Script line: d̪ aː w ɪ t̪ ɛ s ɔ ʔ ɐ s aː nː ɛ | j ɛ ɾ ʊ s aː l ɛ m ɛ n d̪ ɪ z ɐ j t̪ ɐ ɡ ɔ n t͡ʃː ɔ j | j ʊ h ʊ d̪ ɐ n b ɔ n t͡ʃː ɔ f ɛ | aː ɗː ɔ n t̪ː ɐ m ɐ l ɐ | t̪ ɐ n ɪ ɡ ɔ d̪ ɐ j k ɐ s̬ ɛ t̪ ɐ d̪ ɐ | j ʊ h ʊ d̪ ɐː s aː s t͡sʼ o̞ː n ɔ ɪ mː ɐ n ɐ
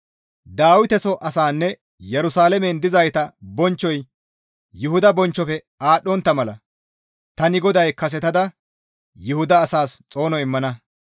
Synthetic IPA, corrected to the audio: d̪ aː w ɪ t̪ ɛ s ɔ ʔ ɐ s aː nː ɛ | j ɛ ɾ ʊ s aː l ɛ m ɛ n d̪ ɪ z ɐ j t̪ ɐ b ɔ n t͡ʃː ɔ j | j ʊ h ʊ d̪ ɐ b ɔ n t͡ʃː ɔ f ɛ | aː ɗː ɔ n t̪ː ɐ m ɐ l ɐ | t̪ ɐ n ɪ ɡ ɔ d̪ ɐ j k ɐ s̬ ɛ t̪ ɐ d̪ ɐ | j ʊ h ʊ d̪ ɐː s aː s t͡sʼ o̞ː n ɔ ɪ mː ɐ n ɐ